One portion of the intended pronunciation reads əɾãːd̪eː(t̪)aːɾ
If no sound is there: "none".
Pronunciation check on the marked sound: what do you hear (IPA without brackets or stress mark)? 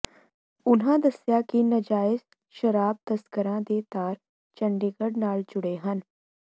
t̪